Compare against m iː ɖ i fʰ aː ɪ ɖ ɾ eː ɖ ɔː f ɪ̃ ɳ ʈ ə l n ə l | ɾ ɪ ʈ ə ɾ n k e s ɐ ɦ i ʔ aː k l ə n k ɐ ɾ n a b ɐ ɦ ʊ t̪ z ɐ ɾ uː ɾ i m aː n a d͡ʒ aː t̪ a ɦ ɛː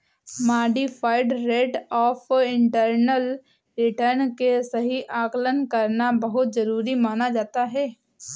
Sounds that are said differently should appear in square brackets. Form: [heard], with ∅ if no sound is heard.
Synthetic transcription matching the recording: m [aː] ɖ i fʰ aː ɪ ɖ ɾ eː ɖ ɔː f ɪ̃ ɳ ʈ ə [ɾ] n ə l | ɾ ɪ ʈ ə ɾ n k e s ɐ ɦ i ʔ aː k l ə n k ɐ ɾ n a b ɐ ɦ ʊ t̪ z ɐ ɾ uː ɾ i m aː n a d͡ʒ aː t̪ a ɦ ɛː